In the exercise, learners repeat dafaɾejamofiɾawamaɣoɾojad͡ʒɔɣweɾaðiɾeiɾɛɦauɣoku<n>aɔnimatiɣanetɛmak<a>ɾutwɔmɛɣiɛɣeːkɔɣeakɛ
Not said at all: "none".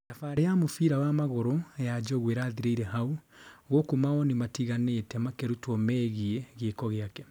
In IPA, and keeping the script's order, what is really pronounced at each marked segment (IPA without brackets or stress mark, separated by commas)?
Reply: m, e